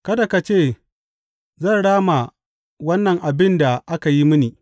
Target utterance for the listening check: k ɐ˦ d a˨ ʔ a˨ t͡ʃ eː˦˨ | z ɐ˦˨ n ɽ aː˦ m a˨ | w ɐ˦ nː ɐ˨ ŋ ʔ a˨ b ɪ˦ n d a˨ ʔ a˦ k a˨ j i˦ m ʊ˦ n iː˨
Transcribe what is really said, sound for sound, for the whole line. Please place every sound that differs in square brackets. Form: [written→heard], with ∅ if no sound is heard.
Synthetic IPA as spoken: k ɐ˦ d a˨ [ʔ→k] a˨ t͡ʃ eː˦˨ | z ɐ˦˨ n ɽ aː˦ m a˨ | w ɐ˦ nː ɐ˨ ŋ ʔ a˨ b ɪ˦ n d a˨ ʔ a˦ k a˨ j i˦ m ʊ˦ n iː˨